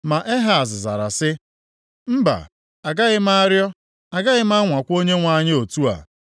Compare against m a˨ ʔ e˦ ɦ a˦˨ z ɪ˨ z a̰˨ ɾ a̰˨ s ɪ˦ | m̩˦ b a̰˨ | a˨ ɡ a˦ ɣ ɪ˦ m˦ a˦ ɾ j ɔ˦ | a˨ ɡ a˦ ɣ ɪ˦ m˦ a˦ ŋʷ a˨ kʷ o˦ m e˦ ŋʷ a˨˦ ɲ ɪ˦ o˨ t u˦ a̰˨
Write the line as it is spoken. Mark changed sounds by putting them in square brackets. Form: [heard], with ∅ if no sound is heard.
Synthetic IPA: m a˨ ʔ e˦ ɦ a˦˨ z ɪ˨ z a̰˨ ɾ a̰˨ s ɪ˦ | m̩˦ b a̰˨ | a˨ ɡ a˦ ɣ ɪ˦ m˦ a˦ ɾ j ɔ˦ | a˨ ɡ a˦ ɣ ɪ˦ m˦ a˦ ŋʷ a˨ kʷ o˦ [ɲ] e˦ ŋʷ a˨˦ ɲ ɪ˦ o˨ t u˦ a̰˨

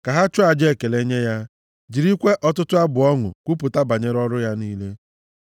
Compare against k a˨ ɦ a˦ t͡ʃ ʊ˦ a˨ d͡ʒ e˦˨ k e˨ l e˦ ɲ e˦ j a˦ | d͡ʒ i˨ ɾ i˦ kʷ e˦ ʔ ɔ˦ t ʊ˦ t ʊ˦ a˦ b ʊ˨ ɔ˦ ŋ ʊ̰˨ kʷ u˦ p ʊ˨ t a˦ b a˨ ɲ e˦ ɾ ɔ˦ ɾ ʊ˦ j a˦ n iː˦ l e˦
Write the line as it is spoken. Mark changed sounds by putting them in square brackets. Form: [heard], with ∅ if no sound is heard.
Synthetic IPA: k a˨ ɦ a˦ t͡ʃ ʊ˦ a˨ d͡ʒ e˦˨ k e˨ l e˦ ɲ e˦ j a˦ | d͡ʒ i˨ ɾ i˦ kʷ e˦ ʔ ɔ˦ t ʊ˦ t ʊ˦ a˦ b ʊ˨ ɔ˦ ŋ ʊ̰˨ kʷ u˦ p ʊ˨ t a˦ b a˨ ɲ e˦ ɾ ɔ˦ ɾ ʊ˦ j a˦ n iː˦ l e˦

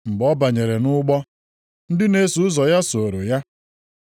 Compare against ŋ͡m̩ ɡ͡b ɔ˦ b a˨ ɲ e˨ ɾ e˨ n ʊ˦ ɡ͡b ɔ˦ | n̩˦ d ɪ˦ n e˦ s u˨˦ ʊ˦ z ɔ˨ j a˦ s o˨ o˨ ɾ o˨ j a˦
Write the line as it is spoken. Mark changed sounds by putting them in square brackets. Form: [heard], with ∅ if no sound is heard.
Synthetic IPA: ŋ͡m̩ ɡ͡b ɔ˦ b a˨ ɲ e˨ ɾ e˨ n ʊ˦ ɡ͡b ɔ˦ | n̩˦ d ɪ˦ n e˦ s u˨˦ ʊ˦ z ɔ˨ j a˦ s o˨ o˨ ɾ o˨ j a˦

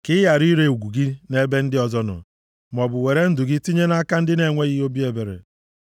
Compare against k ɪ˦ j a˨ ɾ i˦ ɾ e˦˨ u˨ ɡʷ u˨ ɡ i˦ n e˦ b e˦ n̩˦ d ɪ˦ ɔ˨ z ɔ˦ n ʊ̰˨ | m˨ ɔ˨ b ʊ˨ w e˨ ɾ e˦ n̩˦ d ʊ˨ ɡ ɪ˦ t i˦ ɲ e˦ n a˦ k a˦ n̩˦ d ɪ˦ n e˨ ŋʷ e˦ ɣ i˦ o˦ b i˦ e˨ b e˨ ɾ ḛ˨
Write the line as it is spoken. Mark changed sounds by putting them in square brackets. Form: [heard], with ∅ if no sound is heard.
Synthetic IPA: k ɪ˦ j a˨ ɾ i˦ ɾ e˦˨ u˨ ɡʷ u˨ ɡ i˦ n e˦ b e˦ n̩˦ d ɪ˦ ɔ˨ z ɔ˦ n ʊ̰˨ | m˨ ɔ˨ b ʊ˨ w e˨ ɾ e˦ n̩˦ d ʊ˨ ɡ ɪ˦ t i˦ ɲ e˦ n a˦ k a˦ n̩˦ d ɪ˦ n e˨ ŋʷ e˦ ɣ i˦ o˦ b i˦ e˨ b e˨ ɾ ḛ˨

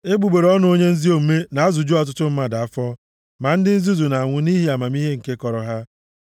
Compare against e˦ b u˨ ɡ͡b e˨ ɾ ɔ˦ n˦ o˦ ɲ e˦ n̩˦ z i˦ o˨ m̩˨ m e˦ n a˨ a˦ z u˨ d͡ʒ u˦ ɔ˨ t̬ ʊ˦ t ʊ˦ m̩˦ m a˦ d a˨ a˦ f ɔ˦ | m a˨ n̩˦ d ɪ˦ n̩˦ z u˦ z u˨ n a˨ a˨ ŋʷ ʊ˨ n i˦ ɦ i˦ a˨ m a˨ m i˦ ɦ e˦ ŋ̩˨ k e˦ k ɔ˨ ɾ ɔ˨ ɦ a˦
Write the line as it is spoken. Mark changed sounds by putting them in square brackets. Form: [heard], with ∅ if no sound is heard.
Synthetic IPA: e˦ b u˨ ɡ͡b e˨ ɾ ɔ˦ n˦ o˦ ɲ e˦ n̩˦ z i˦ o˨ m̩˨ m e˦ n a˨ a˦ z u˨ d͡ʒ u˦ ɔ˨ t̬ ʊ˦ t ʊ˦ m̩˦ m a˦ d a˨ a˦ f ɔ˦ | m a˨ n̩˦ d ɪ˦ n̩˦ z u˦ z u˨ n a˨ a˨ ŋʷ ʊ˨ n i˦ ɦ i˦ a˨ m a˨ m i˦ ɦ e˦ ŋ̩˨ k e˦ k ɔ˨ ɾ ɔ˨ ɦ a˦

